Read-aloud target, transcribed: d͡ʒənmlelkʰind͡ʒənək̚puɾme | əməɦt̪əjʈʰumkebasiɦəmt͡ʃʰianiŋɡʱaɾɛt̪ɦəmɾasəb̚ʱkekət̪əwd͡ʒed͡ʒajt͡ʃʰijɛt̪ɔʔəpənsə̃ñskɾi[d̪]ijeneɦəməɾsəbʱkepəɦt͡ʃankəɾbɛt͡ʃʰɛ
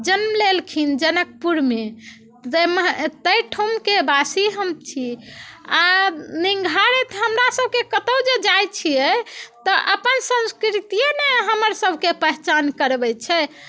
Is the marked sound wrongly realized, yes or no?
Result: yes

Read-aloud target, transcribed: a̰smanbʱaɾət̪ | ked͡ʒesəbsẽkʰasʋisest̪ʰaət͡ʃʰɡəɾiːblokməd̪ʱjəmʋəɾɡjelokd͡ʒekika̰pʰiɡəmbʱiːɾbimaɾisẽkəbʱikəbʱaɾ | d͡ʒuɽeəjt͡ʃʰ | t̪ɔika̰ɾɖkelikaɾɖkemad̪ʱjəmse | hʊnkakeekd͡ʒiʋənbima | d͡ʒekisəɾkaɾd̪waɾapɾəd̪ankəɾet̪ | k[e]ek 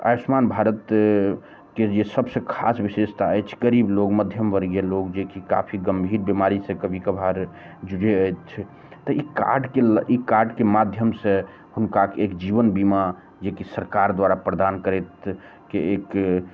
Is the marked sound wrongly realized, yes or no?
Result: no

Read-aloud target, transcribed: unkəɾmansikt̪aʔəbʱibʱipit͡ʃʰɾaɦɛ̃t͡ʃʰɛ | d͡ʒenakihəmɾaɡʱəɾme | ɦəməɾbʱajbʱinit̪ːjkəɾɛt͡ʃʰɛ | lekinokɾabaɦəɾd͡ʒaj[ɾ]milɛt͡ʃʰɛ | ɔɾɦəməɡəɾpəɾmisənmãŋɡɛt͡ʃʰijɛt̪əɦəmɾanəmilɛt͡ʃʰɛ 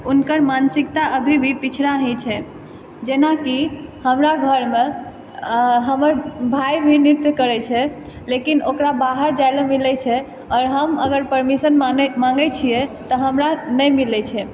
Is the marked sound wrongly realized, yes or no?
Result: yes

